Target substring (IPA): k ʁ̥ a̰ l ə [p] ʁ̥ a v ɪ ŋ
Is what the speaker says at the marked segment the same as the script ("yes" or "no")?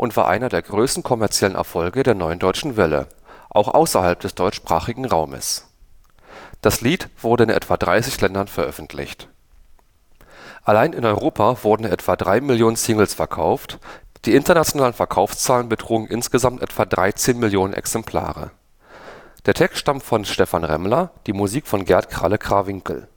no